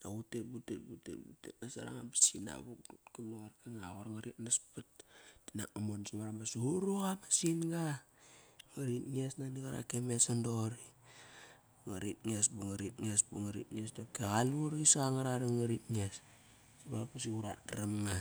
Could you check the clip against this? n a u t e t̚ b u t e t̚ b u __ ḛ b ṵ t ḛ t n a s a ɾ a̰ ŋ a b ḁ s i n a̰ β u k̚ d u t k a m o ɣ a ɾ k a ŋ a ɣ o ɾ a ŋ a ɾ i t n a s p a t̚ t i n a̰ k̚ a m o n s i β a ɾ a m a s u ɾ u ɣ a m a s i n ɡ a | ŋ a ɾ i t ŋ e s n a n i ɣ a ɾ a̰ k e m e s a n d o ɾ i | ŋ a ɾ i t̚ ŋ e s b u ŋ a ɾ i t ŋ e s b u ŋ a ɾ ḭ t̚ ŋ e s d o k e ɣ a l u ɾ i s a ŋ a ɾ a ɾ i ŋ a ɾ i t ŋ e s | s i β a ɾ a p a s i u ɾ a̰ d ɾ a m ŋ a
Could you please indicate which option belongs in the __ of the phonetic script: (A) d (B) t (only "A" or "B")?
B